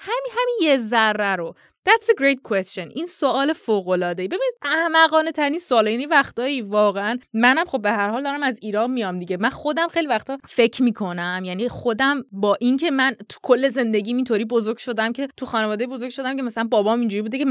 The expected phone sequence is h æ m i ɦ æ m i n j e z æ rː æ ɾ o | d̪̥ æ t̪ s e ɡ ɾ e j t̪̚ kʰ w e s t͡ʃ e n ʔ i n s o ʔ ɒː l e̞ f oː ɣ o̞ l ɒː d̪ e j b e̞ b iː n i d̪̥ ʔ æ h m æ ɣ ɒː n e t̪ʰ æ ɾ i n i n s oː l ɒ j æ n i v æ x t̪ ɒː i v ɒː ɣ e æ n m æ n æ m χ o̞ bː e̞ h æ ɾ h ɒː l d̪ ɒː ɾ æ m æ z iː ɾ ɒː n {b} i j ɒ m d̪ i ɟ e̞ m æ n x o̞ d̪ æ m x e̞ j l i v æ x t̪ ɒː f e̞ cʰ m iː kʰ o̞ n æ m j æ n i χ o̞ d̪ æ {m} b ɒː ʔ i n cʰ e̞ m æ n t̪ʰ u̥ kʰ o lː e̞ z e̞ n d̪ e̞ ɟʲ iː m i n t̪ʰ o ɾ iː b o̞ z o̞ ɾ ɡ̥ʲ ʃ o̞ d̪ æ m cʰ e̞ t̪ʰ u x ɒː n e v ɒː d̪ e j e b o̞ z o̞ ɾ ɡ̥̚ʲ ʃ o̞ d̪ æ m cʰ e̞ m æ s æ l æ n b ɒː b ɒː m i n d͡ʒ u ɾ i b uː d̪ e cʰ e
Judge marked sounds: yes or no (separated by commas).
no, yes